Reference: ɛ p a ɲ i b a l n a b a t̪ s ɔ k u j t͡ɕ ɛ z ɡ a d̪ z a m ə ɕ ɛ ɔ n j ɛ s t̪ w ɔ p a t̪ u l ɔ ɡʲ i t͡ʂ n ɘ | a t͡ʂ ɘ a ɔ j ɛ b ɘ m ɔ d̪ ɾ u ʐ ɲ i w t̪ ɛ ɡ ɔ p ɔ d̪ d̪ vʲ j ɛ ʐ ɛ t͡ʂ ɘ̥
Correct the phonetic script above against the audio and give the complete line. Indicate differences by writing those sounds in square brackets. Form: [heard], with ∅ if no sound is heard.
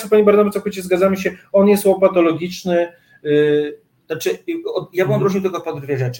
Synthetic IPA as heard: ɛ p a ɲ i b a [ɾ] n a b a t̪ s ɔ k u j t͡ɕ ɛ z ɡ a d̪ z a m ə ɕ ɛ ɔ n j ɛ s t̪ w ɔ p a t̪ [ɔ] l ɔ ɡʲ i t͡ʂ n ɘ | a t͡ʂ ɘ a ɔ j [a] b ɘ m ɔ d̪ ɾ u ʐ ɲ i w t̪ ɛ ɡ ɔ p ɔ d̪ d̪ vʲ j ɛ ʐ ɛ t͡ʂ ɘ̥